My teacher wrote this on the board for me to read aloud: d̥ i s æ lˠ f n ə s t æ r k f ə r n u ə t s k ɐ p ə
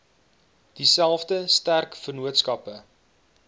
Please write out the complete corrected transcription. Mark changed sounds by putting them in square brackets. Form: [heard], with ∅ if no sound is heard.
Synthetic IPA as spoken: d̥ i s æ lˠ f [d] ə s t æ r k f ə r n u ə t s k ɐ p ə